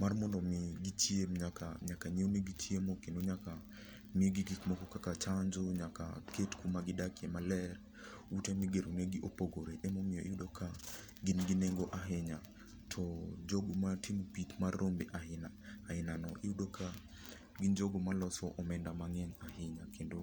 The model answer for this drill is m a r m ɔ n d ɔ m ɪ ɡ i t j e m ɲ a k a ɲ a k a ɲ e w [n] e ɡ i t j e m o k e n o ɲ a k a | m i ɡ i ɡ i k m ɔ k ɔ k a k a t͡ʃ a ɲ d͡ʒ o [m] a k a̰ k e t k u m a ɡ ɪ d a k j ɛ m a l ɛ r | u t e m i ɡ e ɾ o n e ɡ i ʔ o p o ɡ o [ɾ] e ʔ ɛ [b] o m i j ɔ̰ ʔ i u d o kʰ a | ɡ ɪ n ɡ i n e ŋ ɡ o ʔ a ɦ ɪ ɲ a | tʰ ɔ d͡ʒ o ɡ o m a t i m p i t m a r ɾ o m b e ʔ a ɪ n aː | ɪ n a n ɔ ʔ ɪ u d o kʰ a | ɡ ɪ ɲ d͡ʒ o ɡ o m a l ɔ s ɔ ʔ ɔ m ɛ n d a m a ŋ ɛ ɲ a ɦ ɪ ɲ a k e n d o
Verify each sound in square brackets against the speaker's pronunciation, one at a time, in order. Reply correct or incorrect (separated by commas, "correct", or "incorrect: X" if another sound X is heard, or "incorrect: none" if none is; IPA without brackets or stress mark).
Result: correct, incorrect: ɲ, correct, incorrect: m